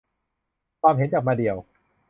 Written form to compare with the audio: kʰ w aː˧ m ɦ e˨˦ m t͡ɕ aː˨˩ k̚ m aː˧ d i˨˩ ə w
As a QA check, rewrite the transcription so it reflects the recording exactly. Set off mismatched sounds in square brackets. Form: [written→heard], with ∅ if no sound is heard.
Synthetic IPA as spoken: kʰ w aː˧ m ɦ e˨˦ [m→n] t͡ɕ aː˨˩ k̚ m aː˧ d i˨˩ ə w